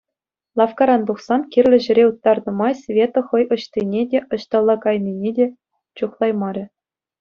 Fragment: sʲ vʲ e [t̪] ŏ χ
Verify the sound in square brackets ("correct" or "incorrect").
correct